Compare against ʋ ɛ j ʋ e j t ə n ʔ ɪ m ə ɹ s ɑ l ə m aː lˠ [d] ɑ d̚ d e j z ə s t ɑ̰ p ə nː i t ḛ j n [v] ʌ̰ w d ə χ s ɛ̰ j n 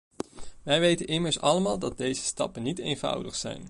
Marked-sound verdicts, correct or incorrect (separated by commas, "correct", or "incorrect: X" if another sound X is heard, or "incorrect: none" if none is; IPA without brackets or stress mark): correct, correct